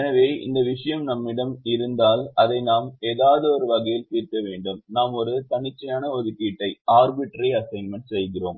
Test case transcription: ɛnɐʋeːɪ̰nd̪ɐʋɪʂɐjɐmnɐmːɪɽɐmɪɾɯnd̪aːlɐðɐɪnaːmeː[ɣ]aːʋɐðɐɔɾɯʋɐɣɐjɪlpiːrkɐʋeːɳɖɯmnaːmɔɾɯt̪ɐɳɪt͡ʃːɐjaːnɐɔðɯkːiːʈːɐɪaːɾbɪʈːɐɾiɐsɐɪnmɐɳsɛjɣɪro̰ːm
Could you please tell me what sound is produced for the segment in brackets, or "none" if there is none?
ð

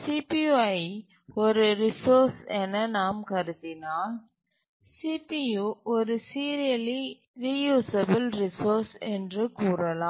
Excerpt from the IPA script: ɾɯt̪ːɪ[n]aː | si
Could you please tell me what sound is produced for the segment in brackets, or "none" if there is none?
n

